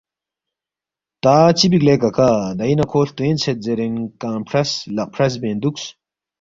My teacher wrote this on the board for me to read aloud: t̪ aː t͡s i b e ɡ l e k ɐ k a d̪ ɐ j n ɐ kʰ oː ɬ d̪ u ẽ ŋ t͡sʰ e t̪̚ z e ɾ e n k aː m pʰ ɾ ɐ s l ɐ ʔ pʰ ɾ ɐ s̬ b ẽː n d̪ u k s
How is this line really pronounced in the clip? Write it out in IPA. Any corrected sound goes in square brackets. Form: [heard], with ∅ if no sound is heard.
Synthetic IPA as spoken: t̪ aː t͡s i b [i] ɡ l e k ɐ k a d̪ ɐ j n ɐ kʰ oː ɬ [t̪] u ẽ [n] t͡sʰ e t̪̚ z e ɾ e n k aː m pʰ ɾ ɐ s l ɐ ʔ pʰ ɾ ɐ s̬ b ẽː n d̪ u k s